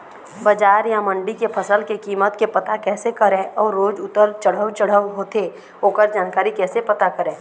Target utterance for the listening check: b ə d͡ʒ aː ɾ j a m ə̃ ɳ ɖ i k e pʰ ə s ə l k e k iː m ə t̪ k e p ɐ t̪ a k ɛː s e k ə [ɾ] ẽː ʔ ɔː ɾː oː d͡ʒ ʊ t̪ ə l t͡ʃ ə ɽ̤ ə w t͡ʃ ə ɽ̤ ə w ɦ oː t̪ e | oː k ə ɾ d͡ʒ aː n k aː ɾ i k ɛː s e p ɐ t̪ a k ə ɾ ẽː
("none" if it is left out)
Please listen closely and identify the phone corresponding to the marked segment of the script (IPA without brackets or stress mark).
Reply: ɾ